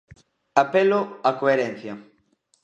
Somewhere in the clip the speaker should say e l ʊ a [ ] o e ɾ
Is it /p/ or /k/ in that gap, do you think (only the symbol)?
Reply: k